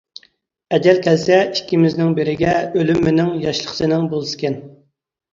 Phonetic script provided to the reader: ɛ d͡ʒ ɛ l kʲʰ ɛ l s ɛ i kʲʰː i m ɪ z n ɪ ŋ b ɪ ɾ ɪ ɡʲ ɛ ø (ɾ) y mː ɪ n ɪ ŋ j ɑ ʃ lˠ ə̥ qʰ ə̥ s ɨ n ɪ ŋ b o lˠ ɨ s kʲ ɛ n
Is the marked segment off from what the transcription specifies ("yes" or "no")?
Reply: yes